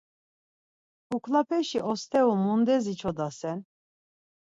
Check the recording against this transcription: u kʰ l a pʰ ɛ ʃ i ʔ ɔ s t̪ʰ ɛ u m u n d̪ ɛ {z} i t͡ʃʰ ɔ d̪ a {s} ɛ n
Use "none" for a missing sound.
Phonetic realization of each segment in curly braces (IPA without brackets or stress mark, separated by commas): z, s